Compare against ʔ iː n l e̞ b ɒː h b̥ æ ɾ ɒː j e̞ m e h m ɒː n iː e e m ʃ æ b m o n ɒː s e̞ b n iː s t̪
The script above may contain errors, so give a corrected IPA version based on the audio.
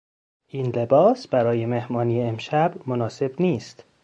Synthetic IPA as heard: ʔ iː n l e̞ b ɒː s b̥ æ ɾ ɒː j e̞ m e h m ɒː n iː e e m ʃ æ b m o n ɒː s e̞ b n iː s t̪